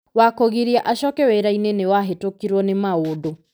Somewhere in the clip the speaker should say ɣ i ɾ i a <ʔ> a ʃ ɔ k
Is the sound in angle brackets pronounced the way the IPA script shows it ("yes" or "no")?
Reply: yes